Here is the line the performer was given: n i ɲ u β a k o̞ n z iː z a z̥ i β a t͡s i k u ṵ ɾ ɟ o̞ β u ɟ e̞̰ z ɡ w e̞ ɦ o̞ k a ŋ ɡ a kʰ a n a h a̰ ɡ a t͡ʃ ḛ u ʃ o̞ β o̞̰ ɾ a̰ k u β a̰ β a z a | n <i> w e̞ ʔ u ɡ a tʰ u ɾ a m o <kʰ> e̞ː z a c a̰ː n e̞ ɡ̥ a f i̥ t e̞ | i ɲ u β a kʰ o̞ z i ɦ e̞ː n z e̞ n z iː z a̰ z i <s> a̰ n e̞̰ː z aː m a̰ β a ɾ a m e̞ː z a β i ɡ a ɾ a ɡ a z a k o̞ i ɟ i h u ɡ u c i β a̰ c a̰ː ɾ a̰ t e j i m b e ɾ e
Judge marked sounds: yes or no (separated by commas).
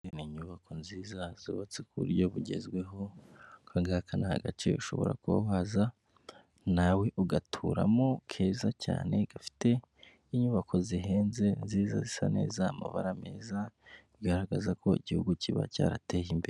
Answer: no, yes, yes